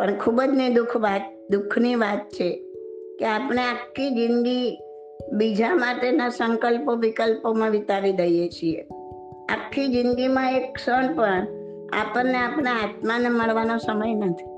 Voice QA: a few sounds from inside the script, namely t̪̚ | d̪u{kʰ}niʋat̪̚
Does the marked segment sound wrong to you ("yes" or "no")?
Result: no